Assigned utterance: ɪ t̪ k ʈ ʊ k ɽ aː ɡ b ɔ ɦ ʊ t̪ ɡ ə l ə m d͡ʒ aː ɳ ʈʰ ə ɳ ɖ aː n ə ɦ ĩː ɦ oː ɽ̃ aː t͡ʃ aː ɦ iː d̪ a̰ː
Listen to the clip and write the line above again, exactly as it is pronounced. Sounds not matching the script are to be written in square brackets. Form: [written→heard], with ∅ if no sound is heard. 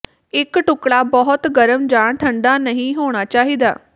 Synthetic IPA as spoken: ɪ [t̪→∅] k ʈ ʊ k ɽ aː [ɡ→∅] b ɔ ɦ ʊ t̪ ɡ ə [l→ɾ] ə m d͡ʒ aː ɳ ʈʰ ə ɳ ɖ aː n ə ɦ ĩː ɦ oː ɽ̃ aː t͡ʃ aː ɦ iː d̪ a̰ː